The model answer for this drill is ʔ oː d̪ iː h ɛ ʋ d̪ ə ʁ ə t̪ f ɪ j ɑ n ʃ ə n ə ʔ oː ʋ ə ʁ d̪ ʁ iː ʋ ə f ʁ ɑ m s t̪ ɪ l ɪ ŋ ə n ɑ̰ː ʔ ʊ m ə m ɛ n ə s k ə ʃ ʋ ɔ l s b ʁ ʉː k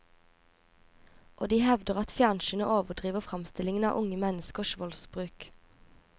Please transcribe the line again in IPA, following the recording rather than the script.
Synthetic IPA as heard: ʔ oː d̪ iː h ɛ ʋ d̪ ə ʁ ɑ t̪ f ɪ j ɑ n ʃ ə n ə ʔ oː ʋ ə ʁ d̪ ʁ iː ʋ ə f ʁ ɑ m s t̪ ɪ l ɪ ŋ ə n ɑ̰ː ʔ ʊ ŋ ə m ɛ n ə s k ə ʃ ʋ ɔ l s b ʁ ʉː k